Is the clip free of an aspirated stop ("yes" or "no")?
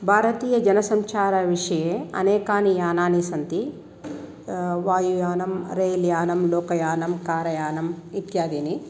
yes